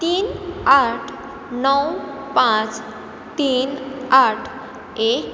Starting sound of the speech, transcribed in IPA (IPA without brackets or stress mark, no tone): t̪